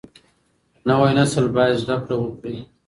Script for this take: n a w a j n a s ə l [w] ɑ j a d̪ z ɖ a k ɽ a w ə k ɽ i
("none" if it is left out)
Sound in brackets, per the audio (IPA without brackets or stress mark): b